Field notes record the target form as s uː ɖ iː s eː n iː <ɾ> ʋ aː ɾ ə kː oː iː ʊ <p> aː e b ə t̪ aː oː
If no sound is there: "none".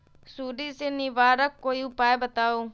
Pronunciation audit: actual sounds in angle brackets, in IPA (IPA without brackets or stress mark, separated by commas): none, p